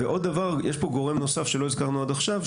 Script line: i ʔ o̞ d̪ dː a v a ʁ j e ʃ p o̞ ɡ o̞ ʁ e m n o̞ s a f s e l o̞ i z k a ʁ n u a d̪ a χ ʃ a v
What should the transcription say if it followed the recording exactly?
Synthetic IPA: e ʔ o̞ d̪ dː a v a ʁ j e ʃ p o̞ ɡ o̞ ʁ e m n o̞ s a f ʃ e l o̞ i z k a ʁ n u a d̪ a χ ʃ a v